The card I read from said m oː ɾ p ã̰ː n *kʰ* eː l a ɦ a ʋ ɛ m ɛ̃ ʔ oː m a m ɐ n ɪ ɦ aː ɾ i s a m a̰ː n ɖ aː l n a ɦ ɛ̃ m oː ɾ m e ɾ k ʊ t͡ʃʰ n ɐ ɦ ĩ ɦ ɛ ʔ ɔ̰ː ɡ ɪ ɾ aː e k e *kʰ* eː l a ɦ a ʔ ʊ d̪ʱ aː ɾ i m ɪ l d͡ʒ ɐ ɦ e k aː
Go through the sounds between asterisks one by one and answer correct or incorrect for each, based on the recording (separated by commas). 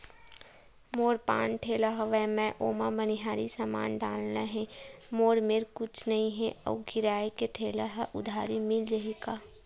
incorrect, incorrect